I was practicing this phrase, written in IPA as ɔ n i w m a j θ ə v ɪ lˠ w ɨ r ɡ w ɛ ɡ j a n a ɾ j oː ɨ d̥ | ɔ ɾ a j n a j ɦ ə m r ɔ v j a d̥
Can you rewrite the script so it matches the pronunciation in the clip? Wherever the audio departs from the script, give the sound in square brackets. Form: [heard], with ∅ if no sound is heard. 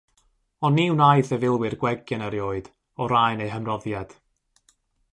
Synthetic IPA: ɔ n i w [n] a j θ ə v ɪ lˠ w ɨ r ɡ w ɛ ɡ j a n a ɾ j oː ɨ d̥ | ɔ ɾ a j n [e] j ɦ ə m r ɔ [ð] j a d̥